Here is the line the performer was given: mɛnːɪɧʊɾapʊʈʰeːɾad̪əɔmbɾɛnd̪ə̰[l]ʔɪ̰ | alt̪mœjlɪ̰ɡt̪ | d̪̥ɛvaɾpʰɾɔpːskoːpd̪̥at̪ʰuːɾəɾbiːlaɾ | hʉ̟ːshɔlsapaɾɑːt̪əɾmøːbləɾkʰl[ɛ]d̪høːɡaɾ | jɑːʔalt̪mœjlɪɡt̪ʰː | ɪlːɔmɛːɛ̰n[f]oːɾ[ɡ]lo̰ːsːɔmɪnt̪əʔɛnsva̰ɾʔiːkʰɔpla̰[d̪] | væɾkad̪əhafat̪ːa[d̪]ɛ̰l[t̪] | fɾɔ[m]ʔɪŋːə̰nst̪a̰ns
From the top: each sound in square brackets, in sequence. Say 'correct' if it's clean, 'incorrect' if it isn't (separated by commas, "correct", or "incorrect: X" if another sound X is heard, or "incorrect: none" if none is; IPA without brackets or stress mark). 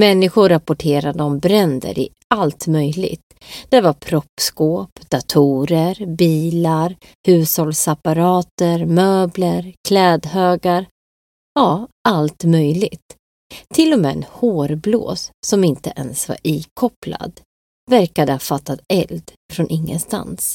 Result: incorrect: ɾ, incorrect: ɛː, incorrect: h, incorrect: b, correct, incorrect: t̪, incorrect: d̪, incorrect: n